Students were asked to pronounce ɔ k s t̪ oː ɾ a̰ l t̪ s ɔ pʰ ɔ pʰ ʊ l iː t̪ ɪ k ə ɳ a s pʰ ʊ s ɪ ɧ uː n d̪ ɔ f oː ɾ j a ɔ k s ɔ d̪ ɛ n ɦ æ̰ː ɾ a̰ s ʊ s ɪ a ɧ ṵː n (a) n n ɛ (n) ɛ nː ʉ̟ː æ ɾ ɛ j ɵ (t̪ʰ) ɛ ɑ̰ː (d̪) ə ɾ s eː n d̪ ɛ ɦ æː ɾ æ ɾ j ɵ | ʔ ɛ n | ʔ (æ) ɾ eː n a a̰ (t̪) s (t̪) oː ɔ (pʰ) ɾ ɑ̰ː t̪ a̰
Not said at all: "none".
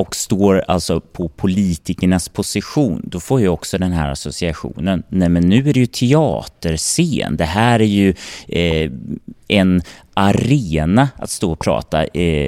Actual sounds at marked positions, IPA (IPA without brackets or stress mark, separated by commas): ə, m, t̪ʰ, t̪, a, t̪, t̪, pʰ